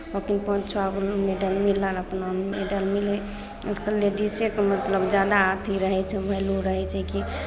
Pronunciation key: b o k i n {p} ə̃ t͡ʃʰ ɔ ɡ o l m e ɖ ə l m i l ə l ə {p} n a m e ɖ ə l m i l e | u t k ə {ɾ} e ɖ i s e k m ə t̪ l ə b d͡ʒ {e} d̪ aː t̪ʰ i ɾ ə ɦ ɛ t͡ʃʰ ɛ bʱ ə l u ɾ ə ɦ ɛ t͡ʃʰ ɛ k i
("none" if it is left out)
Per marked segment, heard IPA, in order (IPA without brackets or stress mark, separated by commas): p, p, l, a